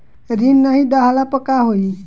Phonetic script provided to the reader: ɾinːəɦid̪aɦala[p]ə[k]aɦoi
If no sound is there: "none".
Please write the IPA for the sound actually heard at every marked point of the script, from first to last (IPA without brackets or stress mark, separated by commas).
p, k